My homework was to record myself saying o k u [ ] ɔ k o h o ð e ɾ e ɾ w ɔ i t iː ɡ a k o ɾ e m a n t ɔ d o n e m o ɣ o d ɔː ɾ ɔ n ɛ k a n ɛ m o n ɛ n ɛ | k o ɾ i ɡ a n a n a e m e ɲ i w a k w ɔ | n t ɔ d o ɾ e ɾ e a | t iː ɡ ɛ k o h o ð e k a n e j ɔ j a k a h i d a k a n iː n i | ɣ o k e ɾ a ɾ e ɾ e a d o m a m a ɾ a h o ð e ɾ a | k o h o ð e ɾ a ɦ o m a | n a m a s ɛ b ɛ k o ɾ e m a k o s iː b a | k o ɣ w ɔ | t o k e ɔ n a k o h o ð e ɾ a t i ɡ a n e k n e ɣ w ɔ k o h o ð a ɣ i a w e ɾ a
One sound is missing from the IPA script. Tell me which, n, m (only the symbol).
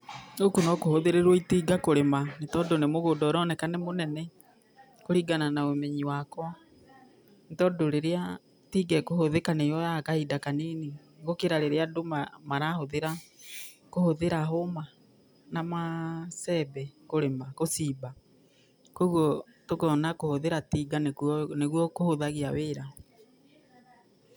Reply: n